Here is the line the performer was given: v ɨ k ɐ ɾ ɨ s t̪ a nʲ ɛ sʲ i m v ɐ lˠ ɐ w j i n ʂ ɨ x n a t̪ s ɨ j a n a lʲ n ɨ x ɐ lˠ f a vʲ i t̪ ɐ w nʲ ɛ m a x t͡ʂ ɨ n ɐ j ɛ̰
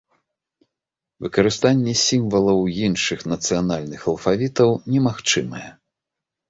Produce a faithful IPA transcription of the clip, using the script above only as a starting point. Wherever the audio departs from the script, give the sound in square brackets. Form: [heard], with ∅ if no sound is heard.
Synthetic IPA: v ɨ k ɐ ɾ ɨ s t̪ a [nʲː] ɛ sʲ i m v ɐ lˠ ɐ w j i n ʂ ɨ x n [ɐ] t̪ s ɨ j a n a lʲ n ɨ x ɐ lˠ f a vʲ i t̪ ɐ w nʲ ɛ m a x t͡ʂ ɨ [m] ɐ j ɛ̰